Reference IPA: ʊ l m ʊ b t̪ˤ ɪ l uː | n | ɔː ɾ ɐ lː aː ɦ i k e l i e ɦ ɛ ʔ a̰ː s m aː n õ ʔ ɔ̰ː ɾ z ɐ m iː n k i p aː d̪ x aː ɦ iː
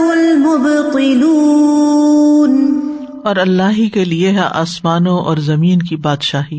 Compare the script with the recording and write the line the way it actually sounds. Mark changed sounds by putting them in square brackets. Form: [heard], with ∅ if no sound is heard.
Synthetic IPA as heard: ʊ l m ʊ b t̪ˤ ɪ l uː | n | ɔː ɾ ɐ lː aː ɦ i k e l i e ɦ ɛ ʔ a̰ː s m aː n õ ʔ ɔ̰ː ɾ z ɐ m iː n k i [b] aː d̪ [ʃ] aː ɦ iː